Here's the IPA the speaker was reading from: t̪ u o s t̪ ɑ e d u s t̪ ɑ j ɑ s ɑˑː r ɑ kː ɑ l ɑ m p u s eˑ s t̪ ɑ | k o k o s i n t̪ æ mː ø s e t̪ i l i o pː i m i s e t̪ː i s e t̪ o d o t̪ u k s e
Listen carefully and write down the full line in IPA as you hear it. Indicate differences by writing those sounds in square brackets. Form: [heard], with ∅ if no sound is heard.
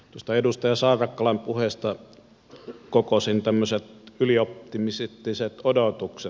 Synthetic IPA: t̪ u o s t̪ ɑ e d u s t̪ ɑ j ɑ s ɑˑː r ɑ kː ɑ l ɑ m p u [h] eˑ s t̪ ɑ | k o k o s i n t̪ æ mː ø s e t̪ [y] l i o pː i m i s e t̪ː i s e t̪ o d o t̪ u k s e

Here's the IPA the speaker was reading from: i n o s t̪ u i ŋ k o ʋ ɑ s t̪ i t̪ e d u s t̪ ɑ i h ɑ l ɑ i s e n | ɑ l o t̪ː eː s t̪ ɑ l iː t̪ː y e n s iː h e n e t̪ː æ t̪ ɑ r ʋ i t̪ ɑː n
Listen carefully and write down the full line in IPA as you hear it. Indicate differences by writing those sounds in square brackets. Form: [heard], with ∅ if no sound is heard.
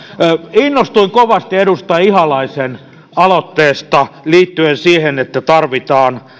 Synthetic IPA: i [nː] o s t̪ u i ŋ k o ʋ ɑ s t̪ i [∅] e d u s t̪ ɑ i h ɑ l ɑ i s e n | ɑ l o t̪ː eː s t̪ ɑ l iː t̪ː y e n s iː h e n e t̪ː æ t̪ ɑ r ʋ i t̪ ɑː n

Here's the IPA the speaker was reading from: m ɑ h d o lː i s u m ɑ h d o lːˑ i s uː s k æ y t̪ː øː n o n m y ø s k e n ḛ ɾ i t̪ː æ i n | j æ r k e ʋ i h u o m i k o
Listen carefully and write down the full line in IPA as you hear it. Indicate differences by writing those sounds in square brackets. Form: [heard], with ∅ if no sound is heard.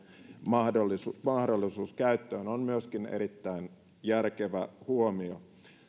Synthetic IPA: m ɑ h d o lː i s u m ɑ h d o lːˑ i s uː s k æ y t̪ː øː n o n m y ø s k [i] n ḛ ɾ i t̪ː æ i n | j æ r k e ʋ [æ] h u o m i [∅] o

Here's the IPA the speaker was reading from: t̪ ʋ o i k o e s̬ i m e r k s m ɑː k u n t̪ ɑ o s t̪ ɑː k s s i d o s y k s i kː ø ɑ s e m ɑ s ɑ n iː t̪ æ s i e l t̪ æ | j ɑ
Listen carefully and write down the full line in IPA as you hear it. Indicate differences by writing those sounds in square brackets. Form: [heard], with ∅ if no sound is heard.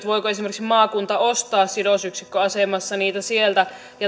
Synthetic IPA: t̪ ʋ o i k o e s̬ i m e r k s m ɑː k u n t̪ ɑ o s t̪ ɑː [∅] s s i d o s y k s i kː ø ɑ s e m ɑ [sː] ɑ n iː t̪ æ s i e l t̪ æ | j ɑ

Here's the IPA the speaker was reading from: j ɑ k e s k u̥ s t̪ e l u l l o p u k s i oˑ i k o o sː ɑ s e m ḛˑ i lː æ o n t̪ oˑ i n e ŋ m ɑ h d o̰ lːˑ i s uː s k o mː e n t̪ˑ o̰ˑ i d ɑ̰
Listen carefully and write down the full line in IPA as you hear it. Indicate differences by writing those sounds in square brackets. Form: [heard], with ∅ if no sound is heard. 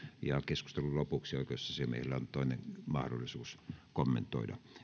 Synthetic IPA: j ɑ k e s k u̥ s t̪ e l u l l o p u k s i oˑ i k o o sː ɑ s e m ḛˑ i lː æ o n t̪ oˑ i n e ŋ m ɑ h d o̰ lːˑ i s uː s k o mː e n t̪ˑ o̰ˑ i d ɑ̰

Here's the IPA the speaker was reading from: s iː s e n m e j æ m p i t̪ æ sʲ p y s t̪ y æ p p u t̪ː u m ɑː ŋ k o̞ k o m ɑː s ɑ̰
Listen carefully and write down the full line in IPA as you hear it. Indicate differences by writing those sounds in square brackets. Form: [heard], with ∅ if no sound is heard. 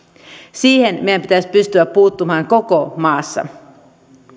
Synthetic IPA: s iː [h] e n m e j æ m p i t̪ æ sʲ p y s t̪ y æ p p [uː] t̪ː u m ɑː ŋ k o̞ k o m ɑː [sː] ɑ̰

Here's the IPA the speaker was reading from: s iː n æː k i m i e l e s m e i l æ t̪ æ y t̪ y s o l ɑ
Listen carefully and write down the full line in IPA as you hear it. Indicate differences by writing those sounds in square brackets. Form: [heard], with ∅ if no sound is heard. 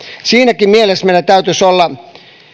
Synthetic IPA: s iː n [æ] k i m i e l e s m e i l æ t̪ æ y t̪ y s o [lː] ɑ

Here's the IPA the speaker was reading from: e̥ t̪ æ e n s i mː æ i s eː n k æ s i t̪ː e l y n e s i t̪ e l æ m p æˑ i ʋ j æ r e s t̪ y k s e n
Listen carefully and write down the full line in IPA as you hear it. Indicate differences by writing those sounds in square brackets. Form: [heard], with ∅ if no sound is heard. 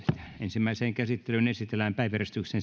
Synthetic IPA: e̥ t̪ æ e n s i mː æ i s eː [ŋ] k æ s i t̪ː e l y n e s i t̪ e l æ m p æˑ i ʋ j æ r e s t̪ y k s e n

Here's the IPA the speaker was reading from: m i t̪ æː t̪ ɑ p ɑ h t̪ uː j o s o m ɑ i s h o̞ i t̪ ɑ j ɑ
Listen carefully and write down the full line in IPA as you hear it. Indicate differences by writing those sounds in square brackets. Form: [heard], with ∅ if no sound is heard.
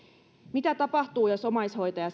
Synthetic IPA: m i t̪ [æ] t̪ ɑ p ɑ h t̪ uː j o s o m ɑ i s h o̞ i t̪ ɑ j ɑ

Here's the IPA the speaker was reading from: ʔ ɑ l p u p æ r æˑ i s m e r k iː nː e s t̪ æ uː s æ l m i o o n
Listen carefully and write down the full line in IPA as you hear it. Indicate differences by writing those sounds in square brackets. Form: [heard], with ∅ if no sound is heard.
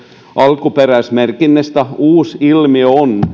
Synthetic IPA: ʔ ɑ l [k] u p [e] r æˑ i s m e r k [i] nː e s t̪ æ uː s [i] l m i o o n

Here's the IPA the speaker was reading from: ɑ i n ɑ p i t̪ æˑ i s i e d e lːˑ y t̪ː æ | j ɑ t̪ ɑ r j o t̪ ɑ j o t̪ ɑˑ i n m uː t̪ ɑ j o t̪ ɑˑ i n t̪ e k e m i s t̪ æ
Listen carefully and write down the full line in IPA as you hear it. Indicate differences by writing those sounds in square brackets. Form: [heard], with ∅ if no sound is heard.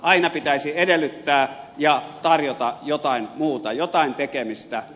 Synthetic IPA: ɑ i n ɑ p i t̪ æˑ i s i e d e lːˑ y t̪ː [æː] | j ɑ t̪ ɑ r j o t̪ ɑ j o t̪ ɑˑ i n m uː t̪ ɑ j o t̪ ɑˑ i n t̪ e k e m i s t̪ æ

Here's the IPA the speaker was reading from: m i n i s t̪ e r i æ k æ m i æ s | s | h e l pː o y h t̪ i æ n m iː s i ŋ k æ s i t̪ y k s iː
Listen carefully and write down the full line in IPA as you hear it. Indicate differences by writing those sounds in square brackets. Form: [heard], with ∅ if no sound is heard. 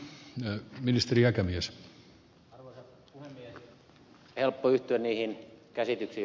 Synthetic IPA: m i n i s t̪ e r i æ k æ m i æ s | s | h e l pː o y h t̪ [y] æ n [n] iː [h] i [n] k æ s i t̪ y k s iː

